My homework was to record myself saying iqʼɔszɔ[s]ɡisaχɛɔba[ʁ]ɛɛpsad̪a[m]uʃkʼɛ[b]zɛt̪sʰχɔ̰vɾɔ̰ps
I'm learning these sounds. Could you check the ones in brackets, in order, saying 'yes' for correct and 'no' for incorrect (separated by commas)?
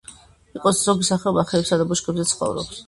no, no, no, yes